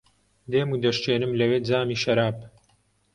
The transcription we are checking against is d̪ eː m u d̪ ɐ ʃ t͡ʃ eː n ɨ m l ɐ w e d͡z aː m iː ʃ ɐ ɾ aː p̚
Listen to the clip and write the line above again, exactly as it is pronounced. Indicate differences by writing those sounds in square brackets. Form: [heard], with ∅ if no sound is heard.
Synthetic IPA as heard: d̪ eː m u d̪ ɐ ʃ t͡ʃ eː n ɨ m l ɐ w e d͡z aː m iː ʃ ɐ ɾ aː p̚